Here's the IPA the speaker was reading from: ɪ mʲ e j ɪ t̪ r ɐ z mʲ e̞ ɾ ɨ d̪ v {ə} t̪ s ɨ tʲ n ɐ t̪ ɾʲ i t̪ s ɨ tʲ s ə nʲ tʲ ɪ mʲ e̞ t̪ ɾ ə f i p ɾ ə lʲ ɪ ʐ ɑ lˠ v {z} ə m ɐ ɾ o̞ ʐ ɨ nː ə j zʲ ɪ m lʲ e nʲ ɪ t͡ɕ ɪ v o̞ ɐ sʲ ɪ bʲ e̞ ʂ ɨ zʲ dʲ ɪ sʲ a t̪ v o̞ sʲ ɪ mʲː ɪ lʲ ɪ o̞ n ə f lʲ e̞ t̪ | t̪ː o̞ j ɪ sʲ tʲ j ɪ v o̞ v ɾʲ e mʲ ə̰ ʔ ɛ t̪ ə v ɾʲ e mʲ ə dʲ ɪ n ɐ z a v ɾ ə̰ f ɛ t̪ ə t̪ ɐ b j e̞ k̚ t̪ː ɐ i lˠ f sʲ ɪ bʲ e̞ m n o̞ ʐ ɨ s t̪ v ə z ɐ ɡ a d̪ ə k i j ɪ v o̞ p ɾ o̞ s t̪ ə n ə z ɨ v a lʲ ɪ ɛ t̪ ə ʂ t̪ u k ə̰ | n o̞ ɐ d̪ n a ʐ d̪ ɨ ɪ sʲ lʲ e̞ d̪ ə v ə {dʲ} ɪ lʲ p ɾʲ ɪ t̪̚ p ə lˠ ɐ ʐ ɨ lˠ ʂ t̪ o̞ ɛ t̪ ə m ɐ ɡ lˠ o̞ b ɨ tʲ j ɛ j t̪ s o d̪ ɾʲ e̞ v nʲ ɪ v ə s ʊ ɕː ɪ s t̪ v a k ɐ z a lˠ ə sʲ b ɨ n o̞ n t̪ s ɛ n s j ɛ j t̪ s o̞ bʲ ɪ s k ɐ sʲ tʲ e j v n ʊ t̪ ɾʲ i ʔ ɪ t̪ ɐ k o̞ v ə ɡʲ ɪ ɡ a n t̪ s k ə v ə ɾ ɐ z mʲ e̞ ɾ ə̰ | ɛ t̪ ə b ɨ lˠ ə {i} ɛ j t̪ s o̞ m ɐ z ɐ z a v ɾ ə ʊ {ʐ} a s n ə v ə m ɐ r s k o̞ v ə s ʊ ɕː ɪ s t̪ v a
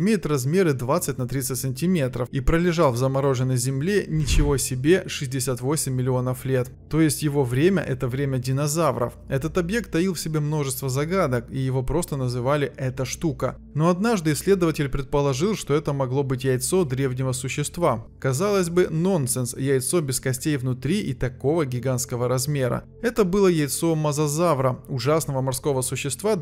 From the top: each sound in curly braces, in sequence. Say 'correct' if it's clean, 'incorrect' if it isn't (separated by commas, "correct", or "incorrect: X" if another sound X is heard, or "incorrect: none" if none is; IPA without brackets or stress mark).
incorrect: a, correct, incorrect: tʲ, incorrect: j, correct